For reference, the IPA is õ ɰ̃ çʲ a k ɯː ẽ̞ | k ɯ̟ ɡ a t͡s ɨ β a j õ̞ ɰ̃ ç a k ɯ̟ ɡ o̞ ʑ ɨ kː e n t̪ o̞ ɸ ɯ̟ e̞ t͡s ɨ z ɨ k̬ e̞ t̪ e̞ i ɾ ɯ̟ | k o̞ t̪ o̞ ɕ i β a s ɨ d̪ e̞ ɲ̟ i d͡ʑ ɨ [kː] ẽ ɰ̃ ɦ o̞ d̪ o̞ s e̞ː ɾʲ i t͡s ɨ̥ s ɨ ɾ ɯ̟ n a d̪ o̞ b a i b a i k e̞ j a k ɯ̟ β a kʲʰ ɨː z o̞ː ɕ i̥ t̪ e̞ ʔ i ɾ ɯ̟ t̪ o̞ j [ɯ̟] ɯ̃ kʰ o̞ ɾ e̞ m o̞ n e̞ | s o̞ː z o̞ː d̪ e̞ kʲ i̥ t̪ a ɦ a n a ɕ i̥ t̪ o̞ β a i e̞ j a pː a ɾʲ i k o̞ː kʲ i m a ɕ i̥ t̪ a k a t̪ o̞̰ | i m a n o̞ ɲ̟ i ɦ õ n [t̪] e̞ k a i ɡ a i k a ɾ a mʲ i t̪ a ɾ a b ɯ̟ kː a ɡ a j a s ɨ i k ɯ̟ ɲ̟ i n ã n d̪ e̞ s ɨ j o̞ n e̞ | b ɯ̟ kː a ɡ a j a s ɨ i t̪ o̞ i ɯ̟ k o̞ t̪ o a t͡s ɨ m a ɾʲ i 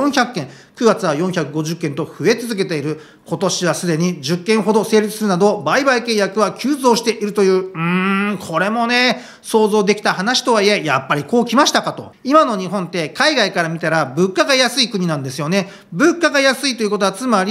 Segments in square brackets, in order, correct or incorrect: correct, incorrect: ɯ̟ː, correct

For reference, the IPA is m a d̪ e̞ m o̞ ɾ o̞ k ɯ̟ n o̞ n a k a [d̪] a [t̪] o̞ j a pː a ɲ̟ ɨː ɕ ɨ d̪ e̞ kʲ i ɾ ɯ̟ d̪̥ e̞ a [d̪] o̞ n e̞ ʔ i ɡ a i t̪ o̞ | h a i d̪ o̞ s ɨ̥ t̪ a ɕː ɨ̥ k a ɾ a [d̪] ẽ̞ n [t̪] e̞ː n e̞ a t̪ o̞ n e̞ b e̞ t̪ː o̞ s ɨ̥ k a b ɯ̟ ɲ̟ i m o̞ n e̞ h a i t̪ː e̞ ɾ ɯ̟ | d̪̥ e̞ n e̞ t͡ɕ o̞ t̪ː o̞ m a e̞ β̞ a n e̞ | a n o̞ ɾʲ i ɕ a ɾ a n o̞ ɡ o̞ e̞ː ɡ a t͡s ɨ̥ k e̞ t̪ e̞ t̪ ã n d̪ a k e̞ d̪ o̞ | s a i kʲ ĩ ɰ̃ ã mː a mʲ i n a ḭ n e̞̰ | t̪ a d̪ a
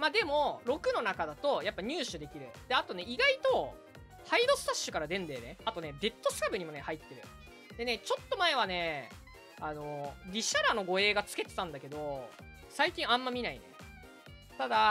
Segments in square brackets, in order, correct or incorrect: correct, correct, incorrect: t̪, correct, incorrect: d̪

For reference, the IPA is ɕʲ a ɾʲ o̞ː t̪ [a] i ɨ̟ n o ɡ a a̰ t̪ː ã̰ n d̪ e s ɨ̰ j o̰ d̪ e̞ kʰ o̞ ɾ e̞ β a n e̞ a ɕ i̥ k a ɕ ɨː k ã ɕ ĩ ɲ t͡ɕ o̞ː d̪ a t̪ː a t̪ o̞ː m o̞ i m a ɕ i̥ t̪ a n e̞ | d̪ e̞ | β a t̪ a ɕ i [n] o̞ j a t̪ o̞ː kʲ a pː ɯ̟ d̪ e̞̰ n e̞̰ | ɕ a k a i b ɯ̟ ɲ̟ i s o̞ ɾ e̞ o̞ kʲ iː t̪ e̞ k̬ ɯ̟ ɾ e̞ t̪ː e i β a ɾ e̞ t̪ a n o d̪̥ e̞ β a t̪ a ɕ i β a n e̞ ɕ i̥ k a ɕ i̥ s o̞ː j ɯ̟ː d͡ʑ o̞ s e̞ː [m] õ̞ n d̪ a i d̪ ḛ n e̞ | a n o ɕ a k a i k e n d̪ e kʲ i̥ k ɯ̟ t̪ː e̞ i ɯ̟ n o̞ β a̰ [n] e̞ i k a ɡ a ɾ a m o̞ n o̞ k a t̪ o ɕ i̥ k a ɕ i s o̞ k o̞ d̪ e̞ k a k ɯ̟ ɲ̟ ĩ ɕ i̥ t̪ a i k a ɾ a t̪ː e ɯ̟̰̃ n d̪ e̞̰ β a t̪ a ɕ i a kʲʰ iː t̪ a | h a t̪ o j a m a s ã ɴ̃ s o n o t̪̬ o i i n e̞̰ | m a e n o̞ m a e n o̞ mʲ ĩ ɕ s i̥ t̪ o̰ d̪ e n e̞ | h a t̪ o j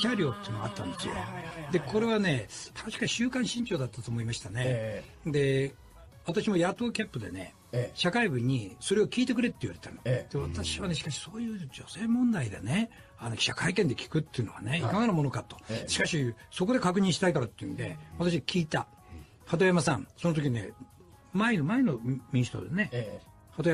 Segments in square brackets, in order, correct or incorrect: incorrect: e, incorrect: m, correct, correct

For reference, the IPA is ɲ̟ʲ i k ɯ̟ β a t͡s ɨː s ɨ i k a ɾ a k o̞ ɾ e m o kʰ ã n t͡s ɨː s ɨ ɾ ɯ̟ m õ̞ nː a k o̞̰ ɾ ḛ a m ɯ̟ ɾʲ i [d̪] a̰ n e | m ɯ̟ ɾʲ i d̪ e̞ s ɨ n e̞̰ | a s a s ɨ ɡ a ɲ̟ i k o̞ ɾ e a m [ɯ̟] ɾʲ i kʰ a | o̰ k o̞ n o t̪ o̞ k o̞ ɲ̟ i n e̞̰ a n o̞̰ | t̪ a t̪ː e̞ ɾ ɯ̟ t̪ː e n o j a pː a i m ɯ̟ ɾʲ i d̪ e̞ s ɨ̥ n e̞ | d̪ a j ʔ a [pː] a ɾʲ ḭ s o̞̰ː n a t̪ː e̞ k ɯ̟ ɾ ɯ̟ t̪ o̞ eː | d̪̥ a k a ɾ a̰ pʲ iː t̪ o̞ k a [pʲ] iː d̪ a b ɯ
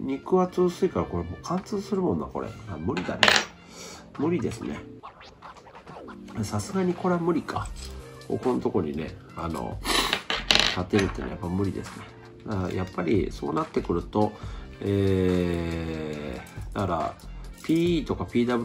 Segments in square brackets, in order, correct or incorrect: correct, correct, correct, correct

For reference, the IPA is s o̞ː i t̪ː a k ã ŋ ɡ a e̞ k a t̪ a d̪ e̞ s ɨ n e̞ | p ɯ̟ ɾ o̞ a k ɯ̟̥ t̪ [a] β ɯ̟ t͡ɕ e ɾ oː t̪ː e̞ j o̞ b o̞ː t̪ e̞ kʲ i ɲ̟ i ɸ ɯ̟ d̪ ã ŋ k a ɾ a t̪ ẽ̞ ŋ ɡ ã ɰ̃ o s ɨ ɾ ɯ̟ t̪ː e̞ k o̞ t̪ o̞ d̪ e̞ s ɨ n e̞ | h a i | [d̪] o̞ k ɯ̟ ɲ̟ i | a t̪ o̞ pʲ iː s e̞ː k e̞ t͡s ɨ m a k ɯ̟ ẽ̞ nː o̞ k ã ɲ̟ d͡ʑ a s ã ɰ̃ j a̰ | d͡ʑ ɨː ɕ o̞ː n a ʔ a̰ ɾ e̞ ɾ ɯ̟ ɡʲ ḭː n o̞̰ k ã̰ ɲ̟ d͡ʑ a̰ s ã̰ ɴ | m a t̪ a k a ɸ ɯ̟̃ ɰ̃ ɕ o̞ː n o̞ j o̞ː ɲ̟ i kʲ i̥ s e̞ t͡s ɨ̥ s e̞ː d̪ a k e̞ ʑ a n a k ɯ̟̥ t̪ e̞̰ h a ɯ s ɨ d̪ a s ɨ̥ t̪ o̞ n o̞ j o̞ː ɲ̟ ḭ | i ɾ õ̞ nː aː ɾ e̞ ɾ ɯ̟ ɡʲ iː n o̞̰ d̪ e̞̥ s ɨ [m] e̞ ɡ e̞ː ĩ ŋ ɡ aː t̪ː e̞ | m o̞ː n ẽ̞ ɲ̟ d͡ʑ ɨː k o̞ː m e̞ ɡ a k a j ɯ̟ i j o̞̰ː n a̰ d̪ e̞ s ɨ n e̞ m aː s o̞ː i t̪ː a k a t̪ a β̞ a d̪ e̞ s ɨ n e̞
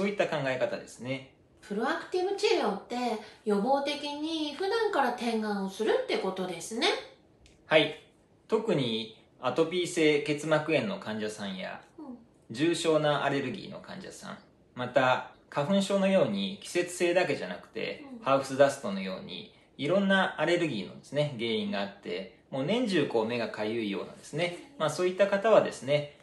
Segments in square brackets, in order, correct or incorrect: incorrect: i, incorrect: t̪, incorrect: n

